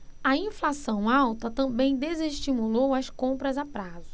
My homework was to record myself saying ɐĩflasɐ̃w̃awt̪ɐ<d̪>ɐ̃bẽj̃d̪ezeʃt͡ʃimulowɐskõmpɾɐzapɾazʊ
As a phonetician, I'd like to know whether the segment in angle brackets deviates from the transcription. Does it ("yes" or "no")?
yes